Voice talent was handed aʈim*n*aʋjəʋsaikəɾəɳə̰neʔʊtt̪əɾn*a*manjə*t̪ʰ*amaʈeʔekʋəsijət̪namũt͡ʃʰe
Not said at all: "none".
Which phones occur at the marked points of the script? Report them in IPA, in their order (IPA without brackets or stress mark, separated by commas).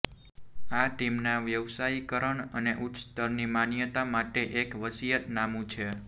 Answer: n, i, t̪